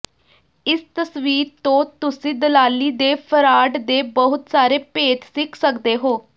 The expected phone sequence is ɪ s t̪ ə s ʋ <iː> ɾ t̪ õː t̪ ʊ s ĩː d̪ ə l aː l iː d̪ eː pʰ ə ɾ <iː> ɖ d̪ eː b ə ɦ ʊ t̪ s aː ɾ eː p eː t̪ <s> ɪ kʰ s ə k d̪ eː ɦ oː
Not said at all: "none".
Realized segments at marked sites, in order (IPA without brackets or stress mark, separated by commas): iː, aː, s